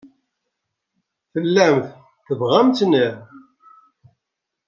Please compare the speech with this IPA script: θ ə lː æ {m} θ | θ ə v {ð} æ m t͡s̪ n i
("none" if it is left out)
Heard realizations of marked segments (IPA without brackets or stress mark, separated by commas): m, ʁ